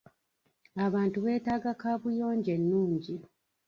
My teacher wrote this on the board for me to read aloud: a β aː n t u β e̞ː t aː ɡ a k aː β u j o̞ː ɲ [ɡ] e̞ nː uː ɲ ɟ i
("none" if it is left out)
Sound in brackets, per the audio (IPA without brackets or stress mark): ɟ